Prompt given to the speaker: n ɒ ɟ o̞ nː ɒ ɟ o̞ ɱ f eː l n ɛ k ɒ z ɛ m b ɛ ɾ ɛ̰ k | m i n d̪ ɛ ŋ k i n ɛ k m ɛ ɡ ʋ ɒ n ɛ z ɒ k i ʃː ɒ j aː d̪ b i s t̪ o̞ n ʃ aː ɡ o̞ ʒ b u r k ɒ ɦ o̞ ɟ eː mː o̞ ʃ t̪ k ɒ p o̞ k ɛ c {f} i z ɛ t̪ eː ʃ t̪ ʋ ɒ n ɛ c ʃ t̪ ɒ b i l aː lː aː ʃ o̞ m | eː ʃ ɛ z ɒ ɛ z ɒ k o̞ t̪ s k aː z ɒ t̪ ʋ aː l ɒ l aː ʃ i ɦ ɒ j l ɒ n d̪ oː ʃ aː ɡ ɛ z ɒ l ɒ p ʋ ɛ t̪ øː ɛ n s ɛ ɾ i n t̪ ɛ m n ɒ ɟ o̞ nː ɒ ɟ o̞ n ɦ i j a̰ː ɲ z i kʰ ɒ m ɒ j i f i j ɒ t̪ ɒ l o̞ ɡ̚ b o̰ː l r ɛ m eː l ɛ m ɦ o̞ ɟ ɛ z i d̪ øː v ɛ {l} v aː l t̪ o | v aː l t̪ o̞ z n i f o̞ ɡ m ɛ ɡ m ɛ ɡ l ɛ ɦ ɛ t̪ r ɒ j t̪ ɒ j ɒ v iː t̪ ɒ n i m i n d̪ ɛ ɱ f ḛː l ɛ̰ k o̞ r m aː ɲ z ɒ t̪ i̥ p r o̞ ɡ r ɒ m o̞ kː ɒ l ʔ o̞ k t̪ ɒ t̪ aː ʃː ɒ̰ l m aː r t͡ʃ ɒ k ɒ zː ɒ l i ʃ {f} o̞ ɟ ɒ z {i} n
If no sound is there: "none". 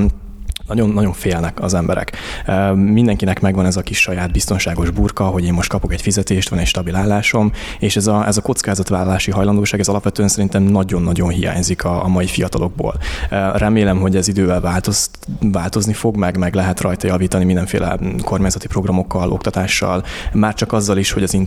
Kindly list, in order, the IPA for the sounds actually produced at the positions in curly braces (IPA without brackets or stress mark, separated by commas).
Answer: f, l, h, i